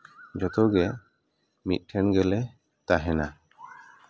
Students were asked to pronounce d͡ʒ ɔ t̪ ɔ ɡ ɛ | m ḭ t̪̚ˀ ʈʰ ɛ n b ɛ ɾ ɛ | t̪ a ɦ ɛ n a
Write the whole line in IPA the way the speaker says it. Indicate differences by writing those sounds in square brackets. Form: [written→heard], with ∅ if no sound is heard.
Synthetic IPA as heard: d͡ʒ ɔ t̪ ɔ ɡ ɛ | m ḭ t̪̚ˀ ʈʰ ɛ n [b→ɡ] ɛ [ɾ→l] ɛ | t̪ a ɦ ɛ n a